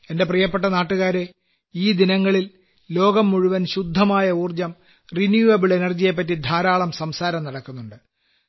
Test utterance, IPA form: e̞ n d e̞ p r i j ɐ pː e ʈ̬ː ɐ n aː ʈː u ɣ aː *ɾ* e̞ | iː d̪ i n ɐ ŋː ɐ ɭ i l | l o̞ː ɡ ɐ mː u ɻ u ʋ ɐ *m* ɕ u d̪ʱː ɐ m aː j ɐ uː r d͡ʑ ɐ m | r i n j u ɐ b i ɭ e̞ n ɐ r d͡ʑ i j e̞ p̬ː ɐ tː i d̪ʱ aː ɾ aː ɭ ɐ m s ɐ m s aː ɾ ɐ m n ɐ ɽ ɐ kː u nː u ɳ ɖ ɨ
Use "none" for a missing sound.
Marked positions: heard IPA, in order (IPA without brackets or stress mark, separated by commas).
ɾ, n